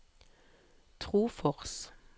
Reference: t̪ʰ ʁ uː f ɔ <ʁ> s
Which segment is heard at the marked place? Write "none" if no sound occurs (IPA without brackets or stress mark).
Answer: ʁ